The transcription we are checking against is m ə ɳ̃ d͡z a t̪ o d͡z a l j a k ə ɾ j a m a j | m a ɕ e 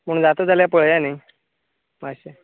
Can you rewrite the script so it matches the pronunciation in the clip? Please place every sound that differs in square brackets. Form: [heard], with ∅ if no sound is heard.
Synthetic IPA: m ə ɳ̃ d͡z a t̪ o d͡z a l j a [p] ə [ɭ] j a [n] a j | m a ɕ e